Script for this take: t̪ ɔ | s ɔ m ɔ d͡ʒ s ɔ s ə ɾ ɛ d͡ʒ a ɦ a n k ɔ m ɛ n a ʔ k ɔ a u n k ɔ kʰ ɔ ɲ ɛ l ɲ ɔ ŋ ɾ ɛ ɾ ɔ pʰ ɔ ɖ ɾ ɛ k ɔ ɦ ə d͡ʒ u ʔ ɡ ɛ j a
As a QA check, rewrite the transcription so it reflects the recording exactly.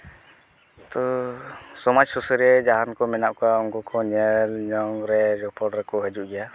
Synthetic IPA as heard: t̪ ɔ | s ɔ m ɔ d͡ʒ s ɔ s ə ɾ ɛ d͡ʒ a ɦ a n k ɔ m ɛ n a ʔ k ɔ a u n k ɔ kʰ ɔ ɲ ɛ l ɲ ɔ ŋ ɾ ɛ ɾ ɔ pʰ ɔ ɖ ɾ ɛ k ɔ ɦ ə d͡ʒ u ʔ ɡ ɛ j a